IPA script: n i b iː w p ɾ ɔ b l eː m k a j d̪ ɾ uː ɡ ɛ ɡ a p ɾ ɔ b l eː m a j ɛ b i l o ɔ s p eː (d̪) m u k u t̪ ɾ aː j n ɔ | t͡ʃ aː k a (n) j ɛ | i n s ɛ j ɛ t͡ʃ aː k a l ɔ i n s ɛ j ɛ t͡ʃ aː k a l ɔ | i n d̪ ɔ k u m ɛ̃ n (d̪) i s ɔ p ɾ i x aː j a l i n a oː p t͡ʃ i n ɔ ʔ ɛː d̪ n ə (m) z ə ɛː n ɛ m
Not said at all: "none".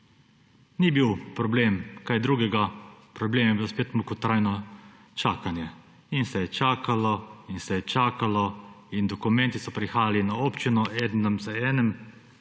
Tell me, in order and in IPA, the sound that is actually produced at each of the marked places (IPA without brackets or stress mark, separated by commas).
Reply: t̪, n, t̪, m